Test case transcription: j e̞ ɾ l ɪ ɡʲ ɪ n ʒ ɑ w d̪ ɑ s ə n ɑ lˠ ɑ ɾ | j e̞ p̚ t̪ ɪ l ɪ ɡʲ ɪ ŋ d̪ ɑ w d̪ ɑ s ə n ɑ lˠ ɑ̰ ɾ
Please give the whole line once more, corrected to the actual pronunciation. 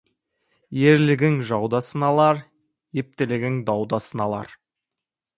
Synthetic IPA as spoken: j e̞ ɾ l ɪ ɡʲ ɪ ŋ ʒ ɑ w d̪ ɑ s ə n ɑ lˠ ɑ ɾ | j e̞ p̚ t̪ ɪ l ɪ ɡʲ ɪ ŋ d̪ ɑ w d̪ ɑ s ə n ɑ lˠ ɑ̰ ɾ

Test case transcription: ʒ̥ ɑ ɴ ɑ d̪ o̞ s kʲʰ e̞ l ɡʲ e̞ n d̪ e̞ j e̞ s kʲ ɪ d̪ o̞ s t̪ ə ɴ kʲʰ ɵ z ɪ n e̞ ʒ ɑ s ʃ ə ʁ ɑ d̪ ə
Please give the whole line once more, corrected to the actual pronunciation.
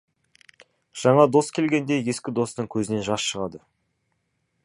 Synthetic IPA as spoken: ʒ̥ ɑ ɴ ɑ d̪ o̞ s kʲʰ e̞ l ɡʲ e̞ n d̪ e̞ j e̞ s kʲ ɪ d̪ o̞ s t̪ ə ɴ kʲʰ ɵ z ɪ n e̞ ʒ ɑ s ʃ ə ʁ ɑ d̪ ə

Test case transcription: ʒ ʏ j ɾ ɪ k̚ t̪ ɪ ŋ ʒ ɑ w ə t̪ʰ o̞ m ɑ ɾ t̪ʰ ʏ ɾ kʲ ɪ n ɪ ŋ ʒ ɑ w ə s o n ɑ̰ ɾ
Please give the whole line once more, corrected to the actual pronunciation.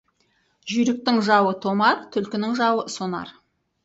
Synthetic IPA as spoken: ʒ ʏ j ɾ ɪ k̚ t̪ ɪ ŋ ʒ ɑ w ə t̪ʰ o̞ m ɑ ɾ t̪ʰ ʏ l kʲ ɪ n ɪ ŋ ʒ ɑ w ə s o n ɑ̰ ɾ

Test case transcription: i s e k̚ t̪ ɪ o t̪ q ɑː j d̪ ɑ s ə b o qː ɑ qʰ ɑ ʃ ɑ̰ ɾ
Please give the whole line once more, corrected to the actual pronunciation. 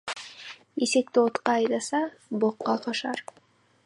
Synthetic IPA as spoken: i s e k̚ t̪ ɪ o t̪ q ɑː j d̪ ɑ s ɑ b o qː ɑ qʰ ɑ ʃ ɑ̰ ɾ

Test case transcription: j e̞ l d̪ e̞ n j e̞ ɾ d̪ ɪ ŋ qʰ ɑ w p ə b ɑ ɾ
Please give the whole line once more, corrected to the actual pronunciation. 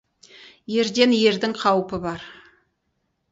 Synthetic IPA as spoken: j e̞ ɾ d̪ e̞ n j e̞ ɾ d̪ ɪ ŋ qʰ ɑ w p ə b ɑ ɾ

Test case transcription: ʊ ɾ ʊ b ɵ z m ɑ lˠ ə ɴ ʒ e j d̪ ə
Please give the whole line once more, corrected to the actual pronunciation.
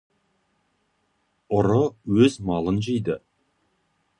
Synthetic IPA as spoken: ʊ ɾ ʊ w ɵ z m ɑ lˠ ə n ʒ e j d̪ ə

